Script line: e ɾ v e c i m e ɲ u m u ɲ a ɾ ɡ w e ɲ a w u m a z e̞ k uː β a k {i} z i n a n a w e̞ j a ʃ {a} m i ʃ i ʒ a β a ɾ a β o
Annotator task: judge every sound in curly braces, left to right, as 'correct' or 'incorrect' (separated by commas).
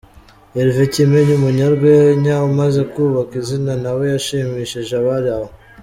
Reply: correct, incorrect